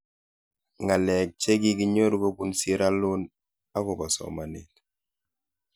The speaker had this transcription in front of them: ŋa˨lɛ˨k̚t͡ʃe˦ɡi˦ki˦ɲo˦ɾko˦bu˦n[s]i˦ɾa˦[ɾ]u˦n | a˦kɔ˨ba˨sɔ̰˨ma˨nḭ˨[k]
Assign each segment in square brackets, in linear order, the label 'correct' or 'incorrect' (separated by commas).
correct, incorrect, incorrect